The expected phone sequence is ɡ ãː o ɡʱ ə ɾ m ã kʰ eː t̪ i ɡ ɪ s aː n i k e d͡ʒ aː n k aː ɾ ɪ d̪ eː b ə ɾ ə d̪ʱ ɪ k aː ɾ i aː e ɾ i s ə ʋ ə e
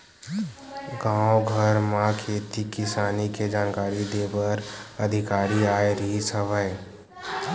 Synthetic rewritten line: ɡ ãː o ɡʱ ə ɾ m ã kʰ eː t̪ i k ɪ s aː n i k e d͡ʒ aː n k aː ɾ i d̪ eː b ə ɾ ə d̪ʱ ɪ k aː ɾ i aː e ɾ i s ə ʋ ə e